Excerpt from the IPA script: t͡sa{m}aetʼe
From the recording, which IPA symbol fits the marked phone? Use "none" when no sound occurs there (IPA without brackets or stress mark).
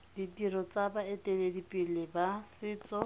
b